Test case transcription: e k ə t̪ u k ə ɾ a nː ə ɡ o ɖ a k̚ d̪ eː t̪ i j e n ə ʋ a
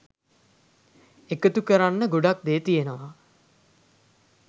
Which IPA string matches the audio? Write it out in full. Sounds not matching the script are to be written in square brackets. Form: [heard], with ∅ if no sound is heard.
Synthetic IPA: e k ə t̪ u k ə ɾ a nː ə ɡ o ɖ a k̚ d̪ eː t̪ i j e n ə ʋ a

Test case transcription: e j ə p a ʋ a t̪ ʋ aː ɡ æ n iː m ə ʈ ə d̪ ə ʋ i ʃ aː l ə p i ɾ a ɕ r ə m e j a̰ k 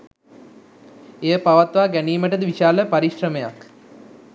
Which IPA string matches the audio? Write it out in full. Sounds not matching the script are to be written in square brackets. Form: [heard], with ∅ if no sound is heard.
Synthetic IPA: e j ə p a ʋ a t̪ ʋ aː ɡ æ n iː m ə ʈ ə d̪ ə ʋ i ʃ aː l ə p [a] ɾ [i] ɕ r ə m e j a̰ k

